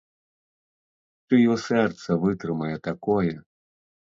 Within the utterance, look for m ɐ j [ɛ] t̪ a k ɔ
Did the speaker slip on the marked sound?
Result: no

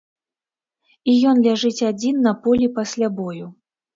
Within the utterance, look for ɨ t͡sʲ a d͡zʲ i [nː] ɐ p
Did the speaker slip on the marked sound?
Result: no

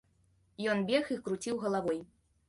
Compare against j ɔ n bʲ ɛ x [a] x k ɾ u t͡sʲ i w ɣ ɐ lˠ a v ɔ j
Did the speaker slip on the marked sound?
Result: yes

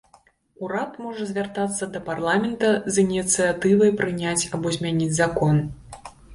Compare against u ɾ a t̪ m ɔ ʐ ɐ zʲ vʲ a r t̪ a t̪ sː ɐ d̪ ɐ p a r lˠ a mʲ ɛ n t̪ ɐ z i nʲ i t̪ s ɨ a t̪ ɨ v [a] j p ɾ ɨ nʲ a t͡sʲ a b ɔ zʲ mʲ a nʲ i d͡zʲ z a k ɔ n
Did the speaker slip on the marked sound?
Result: yes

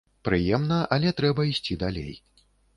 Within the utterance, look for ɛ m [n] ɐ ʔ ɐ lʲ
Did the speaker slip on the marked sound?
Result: no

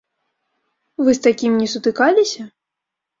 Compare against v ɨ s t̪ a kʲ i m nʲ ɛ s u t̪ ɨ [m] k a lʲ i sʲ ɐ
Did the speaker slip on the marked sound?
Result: yes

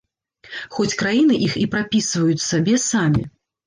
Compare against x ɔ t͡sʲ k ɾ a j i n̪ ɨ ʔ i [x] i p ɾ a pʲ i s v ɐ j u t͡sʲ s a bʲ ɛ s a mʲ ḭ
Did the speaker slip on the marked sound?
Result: no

